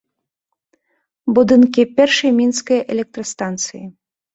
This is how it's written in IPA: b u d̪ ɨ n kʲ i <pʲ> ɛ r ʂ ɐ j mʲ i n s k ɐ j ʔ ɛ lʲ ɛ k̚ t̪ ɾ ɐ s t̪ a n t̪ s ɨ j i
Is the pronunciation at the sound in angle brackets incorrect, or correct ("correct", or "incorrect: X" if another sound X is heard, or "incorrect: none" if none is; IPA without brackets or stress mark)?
correct